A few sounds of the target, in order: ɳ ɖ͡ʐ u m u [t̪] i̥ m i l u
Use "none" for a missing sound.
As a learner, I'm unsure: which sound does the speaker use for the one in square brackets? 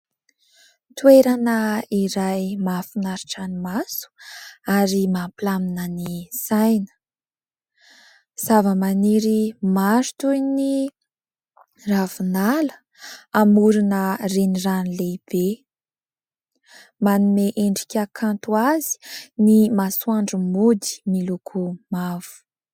d̪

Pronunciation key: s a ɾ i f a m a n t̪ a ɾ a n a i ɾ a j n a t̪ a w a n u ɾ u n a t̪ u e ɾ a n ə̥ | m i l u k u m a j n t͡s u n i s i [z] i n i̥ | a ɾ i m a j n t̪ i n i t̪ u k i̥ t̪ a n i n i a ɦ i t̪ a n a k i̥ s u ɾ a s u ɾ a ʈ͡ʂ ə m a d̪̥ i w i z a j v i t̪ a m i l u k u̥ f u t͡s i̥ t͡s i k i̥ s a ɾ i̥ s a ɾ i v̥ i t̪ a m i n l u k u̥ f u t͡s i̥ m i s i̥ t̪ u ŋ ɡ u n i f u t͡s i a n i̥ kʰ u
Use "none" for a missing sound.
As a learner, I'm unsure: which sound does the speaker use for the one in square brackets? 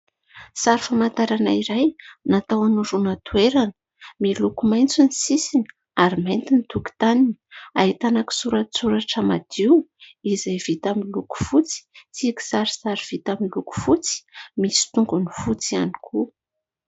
s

